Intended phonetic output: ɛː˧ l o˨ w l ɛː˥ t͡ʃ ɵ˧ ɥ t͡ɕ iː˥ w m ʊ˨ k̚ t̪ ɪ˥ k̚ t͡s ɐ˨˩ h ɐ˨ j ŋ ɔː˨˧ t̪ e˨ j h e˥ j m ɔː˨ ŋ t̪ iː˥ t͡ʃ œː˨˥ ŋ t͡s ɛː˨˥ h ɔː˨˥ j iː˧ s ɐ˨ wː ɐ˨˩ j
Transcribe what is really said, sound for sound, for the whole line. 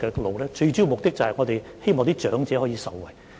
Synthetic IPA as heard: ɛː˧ l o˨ w l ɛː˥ t͡ʃ ɵ˧ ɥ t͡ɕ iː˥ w m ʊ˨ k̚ t̪ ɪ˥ k̚ t͡s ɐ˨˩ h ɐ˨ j ŋ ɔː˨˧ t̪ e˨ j h e˥ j m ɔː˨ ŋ t̪ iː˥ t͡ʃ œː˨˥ ŋ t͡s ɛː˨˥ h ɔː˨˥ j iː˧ s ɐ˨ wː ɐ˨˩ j